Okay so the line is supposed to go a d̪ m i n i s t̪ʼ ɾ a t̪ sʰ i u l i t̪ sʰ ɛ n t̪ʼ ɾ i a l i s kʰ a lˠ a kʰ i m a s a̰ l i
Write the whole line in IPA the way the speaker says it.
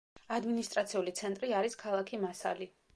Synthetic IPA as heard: a d̪ m i n i s t̪ʼ ɾ a t̪ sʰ i u l i t̪ sʰ ɛ n t̪ʼ ɾ i a ɾ i s kʰ a lˠ a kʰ i m a s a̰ l i